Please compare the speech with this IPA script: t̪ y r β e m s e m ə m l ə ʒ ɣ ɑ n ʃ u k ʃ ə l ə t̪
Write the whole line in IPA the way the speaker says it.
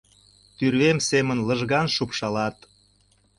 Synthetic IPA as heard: t̪ y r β e m s e m ə n l ə ʒ ɣ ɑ n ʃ u p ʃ ɑ l ɑ t̪